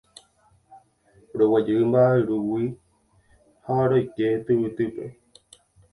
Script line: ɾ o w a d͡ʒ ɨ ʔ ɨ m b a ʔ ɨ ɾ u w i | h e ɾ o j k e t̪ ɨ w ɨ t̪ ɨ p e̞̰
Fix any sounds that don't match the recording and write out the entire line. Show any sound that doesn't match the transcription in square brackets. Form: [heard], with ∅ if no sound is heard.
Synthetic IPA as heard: ɾ o w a d͡ʒ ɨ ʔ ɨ m b a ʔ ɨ ɾ u w i | h [a] ɾ o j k e t̪ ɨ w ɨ t̪ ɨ p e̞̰